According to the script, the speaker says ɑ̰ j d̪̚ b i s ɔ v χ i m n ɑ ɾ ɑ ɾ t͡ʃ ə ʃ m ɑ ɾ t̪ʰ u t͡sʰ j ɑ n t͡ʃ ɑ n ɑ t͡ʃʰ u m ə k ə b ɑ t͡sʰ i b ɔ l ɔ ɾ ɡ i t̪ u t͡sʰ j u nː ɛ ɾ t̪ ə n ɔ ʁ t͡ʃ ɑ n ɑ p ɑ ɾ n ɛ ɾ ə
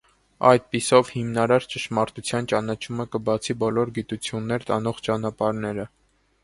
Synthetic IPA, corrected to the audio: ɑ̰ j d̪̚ p i s ɔ v h i m n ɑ ɾ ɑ ɾ t͡ʃ ə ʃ m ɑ ɾ t̪ u t͡sʰ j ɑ n t͡ʃ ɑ n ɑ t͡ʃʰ u m ə k ə b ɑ t͡sʰ i b ɔ l ɔ ɾ ɡ i t̪ u t͡sʰ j u nː ɛ ɾ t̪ ɑ n ɔ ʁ t͡ʃ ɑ n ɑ p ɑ ɾ n ɛ ɾ ə